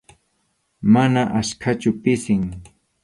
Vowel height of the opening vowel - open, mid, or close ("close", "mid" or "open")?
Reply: open